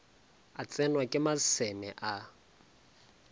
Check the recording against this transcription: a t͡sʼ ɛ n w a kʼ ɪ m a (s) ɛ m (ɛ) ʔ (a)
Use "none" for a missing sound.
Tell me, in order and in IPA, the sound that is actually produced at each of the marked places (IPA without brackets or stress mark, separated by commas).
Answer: s, ɛ, a